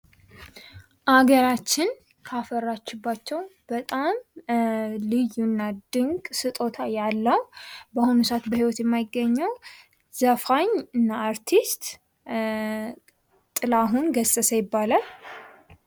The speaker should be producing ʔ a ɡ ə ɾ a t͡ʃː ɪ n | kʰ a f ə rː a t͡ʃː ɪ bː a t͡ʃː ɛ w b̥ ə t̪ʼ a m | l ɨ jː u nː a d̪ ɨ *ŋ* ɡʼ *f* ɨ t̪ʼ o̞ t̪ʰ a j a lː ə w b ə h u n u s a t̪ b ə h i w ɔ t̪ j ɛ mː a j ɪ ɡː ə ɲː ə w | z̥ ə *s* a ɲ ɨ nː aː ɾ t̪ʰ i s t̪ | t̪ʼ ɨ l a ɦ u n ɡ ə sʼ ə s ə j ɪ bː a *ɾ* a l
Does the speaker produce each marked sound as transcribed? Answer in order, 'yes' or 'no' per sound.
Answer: yes, no, no, no

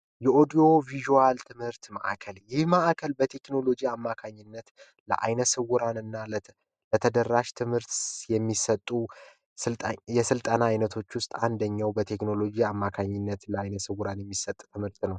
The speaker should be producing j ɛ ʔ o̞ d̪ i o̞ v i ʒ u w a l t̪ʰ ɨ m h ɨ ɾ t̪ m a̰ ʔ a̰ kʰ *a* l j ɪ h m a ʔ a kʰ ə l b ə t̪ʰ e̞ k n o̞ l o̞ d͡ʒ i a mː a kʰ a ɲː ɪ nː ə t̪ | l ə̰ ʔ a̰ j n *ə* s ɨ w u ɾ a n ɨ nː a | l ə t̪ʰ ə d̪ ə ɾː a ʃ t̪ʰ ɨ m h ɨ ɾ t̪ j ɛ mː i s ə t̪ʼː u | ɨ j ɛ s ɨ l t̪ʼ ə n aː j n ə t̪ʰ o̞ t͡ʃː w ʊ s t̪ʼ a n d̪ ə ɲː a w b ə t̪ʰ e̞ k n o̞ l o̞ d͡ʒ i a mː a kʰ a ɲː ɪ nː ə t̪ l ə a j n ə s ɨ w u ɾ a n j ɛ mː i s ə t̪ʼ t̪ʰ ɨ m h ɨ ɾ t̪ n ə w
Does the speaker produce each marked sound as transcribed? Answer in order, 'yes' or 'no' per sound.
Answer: no, yes

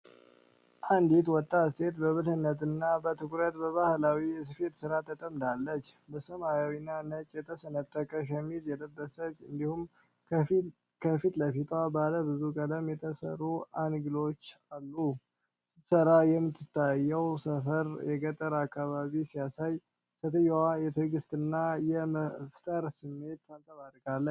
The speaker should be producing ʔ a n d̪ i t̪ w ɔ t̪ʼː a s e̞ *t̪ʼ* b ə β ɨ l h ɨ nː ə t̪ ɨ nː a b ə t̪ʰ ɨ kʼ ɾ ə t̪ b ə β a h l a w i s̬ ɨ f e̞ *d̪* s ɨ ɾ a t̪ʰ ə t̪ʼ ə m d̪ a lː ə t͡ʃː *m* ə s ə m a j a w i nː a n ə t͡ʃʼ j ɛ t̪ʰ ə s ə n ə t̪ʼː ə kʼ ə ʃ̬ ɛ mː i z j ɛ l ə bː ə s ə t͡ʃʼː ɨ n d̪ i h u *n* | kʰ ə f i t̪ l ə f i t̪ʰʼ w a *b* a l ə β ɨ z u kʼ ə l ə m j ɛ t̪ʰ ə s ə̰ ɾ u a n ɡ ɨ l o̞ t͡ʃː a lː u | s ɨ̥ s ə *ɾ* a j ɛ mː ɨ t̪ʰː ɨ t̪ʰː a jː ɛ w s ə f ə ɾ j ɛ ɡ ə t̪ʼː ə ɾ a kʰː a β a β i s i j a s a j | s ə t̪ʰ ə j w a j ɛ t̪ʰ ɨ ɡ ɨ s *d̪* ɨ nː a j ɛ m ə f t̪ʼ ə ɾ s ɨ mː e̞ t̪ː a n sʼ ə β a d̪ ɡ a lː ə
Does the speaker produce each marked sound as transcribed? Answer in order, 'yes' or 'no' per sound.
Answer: no, no, no, no, yes, yes, no

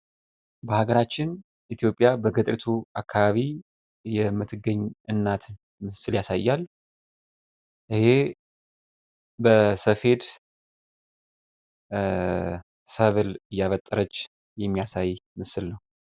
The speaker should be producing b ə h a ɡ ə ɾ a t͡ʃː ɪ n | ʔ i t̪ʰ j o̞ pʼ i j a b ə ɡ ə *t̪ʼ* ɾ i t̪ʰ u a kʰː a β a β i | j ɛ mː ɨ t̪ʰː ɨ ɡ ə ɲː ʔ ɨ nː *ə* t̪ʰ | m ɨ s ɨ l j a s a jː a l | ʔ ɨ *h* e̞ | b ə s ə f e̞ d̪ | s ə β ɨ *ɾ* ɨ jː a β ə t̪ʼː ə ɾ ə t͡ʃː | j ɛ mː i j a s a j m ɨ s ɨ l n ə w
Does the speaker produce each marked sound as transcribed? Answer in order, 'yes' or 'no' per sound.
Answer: yes, no, yes, no

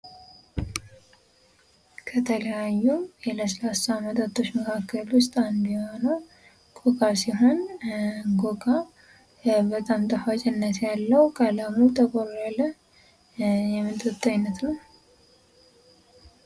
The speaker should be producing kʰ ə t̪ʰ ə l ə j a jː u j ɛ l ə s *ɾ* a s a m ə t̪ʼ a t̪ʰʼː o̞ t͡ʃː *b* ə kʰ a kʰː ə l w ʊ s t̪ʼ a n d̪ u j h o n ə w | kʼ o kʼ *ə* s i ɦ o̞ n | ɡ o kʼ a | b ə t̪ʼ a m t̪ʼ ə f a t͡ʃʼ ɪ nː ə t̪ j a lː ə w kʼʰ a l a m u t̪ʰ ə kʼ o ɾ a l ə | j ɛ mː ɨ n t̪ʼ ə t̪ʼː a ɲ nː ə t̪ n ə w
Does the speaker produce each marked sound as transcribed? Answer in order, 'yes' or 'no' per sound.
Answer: no, no, no

